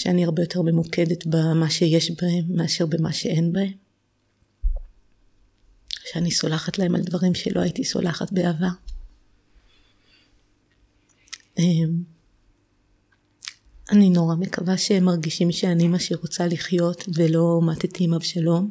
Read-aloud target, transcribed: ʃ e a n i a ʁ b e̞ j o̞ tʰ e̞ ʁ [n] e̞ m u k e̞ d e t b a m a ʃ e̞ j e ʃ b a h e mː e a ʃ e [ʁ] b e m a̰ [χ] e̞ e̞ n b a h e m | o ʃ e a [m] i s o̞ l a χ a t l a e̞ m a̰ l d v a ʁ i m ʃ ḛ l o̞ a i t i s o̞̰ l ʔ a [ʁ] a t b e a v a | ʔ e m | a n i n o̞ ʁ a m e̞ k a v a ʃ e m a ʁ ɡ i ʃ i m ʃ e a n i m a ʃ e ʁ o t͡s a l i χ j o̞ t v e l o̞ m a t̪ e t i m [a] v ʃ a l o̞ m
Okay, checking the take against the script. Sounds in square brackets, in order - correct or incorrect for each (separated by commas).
incorrect, correct, incorrect, incorrect, incorrect, correct